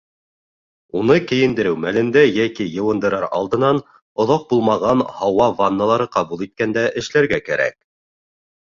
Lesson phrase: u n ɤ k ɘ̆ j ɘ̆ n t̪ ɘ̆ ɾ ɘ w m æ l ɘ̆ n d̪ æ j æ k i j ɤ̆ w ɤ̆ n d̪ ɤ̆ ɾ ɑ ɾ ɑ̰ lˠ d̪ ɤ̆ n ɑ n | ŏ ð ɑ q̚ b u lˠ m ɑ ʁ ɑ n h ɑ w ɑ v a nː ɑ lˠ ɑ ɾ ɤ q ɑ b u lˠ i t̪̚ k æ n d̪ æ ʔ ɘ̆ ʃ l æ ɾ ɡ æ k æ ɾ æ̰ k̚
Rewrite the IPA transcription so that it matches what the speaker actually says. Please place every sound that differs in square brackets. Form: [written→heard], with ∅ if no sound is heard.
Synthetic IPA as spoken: u n ɤ k ɘ̆ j ɘ̆ n [t̪→d̪] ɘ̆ ɾ ɘ w m æ l ɘ̆ n d̪ æ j æ k i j ɤ̆ w ɤ̆ n d̪ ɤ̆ ɾ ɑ ɾ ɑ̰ lˠ d̪ ɤ̆ n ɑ n | ŏ ð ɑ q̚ b u lˠ m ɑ ʁ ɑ n h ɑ w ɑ v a nː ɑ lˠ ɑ ɾ ɤ q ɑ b u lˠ i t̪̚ k æ n d̪ æ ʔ ɘ̆ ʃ l æ ɾ ɡ æ k æ ɾ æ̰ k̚

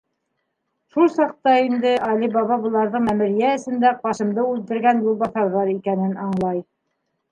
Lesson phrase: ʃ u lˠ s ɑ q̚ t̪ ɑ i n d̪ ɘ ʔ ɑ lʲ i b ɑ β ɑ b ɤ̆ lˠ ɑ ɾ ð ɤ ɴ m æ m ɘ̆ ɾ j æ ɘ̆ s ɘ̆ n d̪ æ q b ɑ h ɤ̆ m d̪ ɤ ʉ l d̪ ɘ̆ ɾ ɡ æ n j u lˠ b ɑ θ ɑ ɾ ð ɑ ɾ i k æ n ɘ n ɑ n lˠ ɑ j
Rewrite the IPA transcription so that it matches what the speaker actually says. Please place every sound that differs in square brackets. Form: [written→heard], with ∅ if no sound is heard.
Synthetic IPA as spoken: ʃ u lˠ s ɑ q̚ t̪ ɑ i n d̪ ɘ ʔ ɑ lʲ i b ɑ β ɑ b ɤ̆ lˠ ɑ ɾ ð ɤ ɴ m æ m ɘ̆ ɾ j æ ɘ̆ s ɘ̆ n d̪ æ q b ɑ [h→ʃ] ɤ̆ m d̪ ɤ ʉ l [d̪→t̪] ɘ̆ ɾ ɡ æ n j u lˠ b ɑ θ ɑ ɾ ð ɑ ɾ i k æ n ɘ n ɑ [n→ɴ] lˠ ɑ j

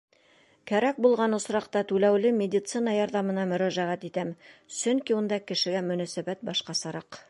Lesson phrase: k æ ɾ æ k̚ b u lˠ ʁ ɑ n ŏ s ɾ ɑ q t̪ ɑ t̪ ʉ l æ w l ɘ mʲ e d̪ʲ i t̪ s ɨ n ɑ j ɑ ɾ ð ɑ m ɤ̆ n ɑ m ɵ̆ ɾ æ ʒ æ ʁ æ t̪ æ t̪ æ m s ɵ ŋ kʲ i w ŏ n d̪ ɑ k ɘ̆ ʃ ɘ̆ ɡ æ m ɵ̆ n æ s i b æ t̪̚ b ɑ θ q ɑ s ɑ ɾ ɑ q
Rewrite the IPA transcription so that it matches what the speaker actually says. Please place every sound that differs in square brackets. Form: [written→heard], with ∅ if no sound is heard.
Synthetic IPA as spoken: k æ ɾ æ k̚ b u lˠ ʁ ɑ n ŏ s ɾ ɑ q t̪ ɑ t̪ ʉ l æ w l ɘ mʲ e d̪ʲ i t̪ s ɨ n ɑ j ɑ ɾ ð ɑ m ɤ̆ n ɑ m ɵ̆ ɾ æ ʒ æ ʁ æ t̪ [æ→i] t̪ æ m s ɵ ŋ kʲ i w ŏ n d̪ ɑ k ɘ̆ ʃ ɘ̆ ɡ æ m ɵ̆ n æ s [i→æ] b æ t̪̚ b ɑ [θ→ʃ] q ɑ s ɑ ɾ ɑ q

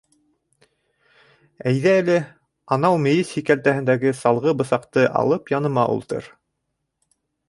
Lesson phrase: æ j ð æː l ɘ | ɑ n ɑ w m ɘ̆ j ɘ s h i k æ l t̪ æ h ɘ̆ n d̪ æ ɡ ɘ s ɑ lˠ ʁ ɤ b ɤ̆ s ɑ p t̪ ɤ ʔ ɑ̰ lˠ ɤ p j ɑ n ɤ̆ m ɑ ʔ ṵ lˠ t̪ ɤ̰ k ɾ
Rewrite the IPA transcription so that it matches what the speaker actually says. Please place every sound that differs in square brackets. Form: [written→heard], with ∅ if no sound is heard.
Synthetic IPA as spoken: æ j ð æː l ɘ | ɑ n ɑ w m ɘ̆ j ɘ s h i k æ l t̪ æ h ɘ̆ n d̪ æ ɡ ɘ s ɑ lˠ ʁ ɤ b ɤ̆ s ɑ [p→q] t̪ ɤ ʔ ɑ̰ lˠ ɤ p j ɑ n ɤ̆ m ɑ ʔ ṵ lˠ t̪ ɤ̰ [k→∅] ɾ

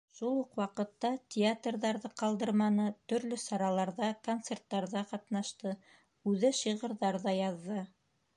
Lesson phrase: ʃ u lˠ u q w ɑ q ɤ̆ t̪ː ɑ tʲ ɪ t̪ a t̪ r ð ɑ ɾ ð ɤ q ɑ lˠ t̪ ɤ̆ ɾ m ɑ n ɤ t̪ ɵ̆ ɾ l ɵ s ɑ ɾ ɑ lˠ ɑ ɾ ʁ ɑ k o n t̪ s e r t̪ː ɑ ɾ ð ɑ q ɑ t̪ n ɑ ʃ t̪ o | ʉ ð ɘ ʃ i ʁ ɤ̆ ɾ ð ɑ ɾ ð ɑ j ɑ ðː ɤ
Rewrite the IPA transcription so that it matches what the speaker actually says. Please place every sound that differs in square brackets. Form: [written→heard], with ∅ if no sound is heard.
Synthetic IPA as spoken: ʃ u lˠ u q w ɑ q ɤ̆ t̪ː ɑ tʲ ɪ [t̪→∅] a t̪ r ð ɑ ɾ ð ɤ q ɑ lˠ [t̪→d̪] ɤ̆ ɾ m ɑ n ɤ t̪ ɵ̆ ɾ l ɵ s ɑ ɾ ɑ lˠ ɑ ɾ [ʁ→ð] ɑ k o n t̪ s e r t̪ː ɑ ɾ ð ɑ q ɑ t̪ n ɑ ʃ t̪ [o→ɤ] | ʉ ð ɘ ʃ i ʁ ɤ̆ ɾ ð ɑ ɾ ð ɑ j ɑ ðː ɤ

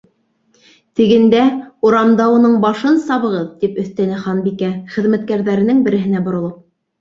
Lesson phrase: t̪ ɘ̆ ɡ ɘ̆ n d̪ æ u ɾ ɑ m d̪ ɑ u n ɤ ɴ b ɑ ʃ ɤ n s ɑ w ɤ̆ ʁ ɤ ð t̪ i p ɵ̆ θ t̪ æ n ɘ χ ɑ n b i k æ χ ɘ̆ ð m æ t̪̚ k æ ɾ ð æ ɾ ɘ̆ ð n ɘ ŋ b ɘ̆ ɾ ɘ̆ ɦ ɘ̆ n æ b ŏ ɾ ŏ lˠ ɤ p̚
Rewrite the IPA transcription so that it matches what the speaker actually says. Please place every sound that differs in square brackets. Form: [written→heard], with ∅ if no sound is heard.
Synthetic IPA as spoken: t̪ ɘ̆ ɡ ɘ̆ n d̪ æ u ɾ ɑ m d̪ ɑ u n ɤ ɴ b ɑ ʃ ɤ n s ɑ [w→β] ɤ̆ ʁ ɤ ð t̪ i p ɵ̆ θ t̪ æ n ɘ χ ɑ n b i k æ χ ɘ̆ ð m æ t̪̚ k æ ɾ ð æ ɾ ɘ̆ [ð→∅] n ɘ ŋ b ɘ̆ ɾ ɘ̆ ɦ ɘ̆ n æ b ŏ ɾ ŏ lˠ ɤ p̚

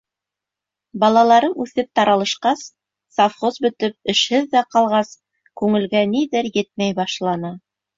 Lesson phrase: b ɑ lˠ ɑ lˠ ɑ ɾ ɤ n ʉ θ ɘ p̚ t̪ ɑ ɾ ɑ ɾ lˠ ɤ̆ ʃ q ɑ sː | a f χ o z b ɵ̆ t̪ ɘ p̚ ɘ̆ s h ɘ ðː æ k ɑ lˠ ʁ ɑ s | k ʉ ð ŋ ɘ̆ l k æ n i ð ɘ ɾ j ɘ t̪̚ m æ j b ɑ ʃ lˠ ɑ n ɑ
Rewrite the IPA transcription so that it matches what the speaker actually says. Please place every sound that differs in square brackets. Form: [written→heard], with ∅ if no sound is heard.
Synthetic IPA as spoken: b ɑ lˠ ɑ lˠ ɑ ɾ ɤ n ʉ θ ɘ p̚ t̪ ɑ ɾ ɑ [ɾ→∅] lˠ ɤ̆ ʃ q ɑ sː | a f χ o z b ɵ̆ t̪ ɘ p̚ ɘ̆ [s→ʃ] h ɘ ðː æ [k→q] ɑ lˠ ʁ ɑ s | k ʉ [ð→∅] ŋ ɘ̆ l [k→ɡ] æ n i ð ɘ ɾ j ɘ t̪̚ m æ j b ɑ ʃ lˠ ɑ n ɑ

